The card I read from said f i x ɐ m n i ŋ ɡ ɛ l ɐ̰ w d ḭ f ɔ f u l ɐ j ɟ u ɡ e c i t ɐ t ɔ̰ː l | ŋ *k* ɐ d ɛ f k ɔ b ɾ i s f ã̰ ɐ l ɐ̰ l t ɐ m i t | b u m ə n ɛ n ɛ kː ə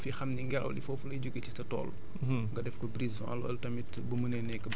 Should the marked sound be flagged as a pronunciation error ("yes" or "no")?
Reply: yes